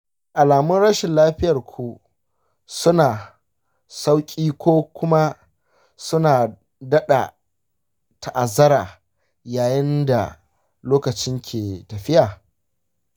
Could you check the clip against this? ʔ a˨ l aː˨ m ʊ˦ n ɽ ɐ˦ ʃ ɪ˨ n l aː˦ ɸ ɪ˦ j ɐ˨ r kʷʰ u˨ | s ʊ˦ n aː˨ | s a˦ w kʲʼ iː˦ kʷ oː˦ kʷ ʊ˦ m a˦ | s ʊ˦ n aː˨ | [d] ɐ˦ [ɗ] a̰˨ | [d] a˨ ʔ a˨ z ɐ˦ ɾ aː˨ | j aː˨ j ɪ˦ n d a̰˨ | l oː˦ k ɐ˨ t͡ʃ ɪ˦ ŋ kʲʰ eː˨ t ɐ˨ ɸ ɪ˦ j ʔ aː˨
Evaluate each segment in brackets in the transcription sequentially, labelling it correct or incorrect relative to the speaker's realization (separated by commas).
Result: correct, correct, incorrect